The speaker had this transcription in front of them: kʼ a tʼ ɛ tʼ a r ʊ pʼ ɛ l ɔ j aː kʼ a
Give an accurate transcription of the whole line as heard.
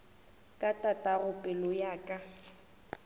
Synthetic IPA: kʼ a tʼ a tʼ a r ʊ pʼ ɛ l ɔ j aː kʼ a